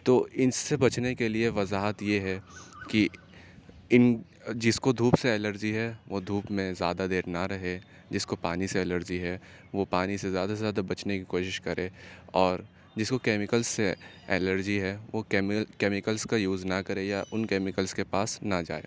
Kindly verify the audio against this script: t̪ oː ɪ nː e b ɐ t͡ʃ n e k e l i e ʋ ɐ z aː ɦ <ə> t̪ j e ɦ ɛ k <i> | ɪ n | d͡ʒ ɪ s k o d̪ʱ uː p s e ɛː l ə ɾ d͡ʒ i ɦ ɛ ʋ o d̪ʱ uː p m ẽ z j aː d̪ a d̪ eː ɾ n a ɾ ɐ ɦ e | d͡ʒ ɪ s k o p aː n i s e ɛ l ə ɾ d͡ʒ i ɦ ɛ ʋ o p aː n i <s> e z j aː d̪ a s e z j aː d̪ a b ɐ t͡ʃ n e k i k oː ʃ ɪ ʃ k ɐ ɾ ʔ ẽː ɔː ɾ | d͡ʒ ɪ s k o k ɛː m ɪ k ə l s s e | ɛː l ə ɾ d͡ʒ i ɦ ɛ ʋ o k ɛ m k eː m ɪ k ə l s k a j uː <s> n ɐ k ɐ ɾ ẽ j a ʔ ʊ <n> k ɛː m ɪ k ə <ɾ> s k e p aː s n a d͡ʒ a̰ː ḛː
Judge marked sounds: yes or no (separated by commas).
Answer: yes, yes, yes, no, yes, no